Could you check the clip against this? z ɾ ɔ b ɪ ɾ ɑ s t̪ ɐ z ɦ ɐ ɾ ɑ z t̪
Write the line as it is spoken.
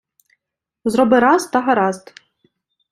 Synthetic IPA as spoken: z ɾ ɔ b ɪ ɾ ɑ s t̪ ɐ ɦ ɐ ɾ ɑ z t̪